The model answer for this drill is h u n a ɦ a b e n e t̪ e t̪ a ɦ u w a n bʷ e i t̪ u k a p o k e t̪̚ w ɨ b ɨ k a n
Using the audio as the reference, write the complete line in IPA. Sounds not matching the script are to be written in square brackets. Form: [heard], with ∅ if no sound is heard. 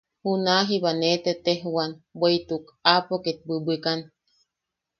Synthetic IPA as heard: h u n a ɦ [i] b [a] n e t̪ e t̪ [e] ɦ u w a n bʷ e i t̪ u k a p o k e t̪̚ [b] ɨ b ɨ k a n